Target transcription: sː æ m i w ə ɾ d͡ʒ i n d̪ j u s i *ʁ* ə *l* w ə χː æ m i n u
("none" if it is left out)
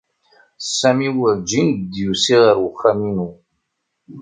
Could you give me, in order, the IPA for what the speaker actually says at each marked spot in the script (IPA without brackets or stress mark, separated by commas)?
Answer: ʁ, ɾ